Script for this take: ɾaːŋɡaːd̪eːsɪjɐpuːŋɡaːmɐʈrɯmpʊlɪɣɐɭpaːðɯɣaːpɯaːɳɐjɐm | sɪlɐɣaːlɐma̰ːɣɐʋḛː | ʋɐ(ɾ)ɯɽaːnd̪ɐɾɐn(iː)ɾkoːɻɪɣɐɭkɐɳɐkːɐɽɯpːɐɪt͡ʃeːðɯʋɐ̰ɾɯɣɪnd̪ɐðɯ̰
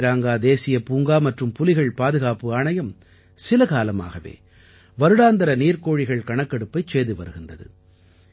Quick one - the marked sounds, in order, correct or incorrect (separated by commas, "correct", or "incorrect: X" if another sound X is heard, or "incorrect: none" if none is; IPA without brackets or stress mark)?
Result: correct, correct